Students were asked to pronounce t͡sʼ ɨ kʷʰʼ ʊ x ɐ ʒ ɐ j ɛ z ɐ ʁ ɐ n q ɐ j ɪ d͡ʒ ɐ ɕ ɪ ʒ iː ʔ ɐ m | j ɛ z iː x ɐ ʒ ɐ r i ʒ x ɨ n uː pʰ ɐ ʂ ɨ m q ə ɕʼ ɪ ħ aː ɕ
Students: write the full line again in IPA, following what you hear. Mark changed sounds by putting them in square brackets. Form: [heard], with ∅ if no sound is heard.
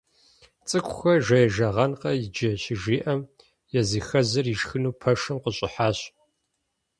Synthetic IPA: t͡sʼ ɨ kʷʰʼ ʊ x ɐ ʒ ɐ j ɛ [ʒ] ɐ ʁ ɐ n q ɐ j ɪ d͡ʒ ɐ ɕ ɪ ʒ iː ʔ ɐ m | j ɛ z iː x ɐ [z] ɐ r i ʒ x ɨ n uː pʰ ɐ ʂ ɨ m q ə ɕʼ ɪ ħ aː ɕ